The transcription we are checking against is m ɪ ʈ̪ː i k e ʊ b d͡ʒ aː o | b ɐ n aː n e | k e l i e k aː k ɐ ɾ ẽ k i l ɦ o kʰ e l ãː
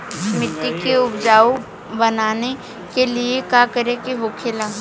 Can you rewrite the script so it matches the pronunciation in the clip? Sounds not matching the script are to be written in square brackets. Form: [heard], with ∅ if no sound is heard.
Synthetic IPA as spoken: m ɪ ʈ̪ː i k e ʊ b d͡ʒ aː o | b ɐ n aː n e | k e l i e k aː k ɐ ɾ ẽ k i [∅] ɦ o kʰ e l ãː